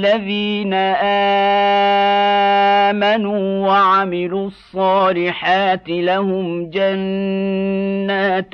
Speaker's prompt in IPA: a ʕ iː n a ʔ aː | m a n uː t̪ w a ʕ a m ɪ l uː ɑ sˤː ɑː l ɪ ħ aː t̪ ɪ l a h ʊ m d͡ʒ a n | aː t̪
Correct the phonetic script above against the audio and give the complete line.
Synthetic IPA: a ð iː n a ʔ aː | m a n uː w a ʕ a m ɪ l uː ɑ sˤː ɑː l ɪ ħ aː t̪ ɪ l a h ʊ m d͡ʒ a n | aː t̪